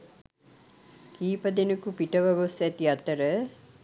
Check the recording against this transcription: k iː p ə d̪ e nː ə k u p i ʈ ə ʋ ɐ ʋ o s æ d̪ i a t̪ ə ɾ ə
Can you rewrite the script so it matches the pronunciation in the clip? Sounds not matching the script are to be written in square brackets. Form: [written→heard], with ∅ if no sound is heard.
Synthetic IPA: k iː p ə d̪ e [nː→n] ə k u p i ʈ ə ʋ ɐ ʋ o s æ [d̪→t̪] i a t̪ ə ɾ ə